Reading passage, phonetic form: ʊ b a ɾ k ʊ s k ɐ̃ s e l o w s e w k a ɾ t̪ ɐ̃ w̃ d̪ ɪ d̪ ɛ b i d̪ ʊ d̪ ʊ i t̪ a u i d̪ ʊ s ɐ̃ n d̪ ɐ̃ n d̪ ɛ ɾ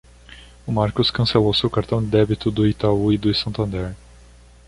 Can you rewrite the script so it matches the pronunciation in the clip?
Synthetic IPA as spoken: ʊ m a ɾ k ʊ s k ɐ̃ s e l o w s e w k a ɾ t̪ ɐ̃ w̃ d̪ ɪ d̪ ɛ b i t̪ ʊ d̪ ʊ i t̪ a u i d̪ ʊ s ɐ̃ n t̪ ɐ̃ n d̪ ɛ ɾ